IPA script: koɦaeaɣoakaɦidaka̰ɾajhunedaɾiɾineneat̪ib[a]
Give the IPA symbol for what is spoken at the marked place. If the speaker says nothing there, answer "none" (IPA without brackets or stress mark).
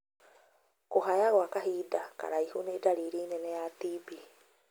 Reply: i